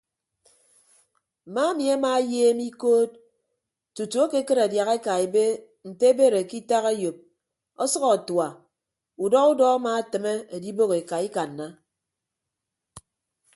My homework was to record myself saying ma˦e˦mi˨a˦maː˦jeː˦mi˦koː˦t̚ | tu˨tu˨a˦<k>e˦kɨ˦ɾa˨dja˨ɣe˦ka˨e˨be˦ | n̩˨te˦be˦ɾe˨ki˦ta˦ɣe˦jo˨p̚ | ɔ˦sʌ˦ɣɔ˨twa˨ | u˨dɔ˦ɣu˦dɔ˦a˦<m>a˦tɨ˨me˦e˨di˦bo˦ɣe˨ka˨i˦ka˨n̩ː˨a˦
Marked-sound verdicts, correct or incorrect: correct, correct

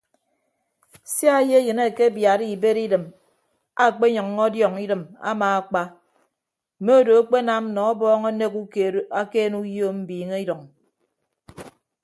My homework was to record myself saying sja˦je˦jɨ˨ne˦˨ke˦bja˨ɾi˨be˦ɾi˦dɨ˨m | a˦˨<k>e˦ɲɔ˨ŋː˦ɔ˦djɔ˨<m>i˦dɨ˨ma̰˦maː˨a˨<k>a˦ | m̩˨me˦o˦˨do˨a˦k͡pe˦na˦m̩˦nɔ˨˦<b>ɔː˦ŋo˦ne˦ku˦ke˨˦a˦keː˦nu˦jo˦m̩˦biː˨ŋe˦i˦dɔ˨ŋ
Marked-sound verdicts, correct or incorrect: incorrect: k͡p, incorrect: ŋ, incorrect: k͡p, correct

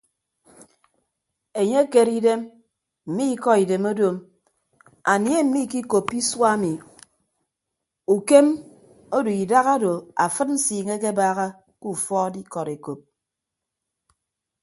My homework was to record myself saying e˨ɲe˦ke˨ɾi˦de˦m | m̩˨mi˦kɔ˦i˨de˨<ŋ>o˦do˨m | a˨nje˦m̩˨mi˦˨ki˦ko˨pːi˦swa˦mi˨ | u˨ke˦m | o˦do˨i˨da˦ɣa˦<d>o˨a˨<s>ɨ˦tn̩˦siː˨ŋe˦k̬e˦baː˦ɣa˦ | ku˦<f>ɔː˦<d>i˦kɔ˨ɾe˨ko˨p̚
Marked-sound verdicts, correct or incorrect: incorrect: m, correct, incorrect: f, correct, correct

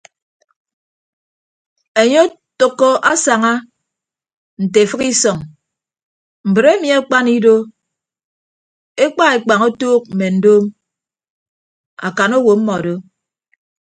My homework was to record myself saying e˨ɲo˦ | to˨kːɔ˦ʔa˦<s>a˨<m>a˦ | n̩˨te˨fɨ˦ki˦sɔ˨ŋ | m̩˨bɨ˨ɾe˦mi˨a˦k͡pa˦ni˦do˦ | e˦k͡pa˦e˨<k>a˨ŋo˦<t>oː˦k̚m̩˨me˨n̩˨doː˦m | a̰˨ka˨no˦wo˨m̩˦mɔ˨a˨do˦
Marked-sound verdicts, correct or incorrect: correct, incorrect: ŋ, incorrect: k͡p, correct

